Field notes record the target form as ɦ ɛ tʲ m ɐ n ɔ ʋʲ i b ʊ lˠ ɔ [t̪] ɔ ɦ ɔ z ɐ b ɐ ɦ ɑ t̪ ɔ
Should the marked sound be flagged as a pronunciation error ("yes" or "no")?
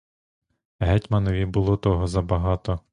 no